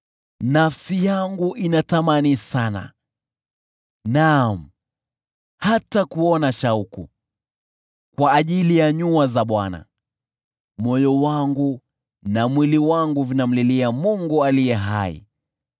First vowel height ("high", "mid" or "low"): low